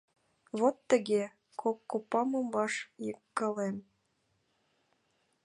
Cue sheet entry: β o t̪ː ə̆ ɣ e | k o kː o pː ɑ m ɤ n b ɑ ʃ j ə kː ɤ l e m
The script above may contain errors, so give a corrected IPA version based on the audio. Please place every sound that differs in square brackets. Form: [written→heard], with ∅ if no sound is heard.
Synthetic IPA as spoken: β o t̪ː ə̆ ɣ e | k o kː o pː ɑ m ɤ [n→m] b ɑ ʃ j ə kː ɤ l e m